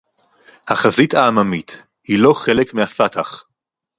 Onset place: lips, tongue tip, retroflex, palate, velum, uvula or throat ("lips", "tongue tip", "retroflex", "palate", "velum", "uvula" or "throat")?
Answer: throat